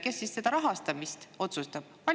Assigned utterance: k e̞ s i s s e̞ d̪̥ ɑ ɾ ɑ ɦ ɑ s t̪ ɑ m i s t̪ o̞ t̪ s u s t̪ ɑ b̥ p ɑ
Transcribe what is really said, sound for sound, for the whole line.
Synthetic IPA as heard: k e̞ sː i s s e̞ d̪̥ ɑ ɾ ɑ ɦ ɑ s t̪ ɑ m i s t̪ o̞ t̪ s u s t̪ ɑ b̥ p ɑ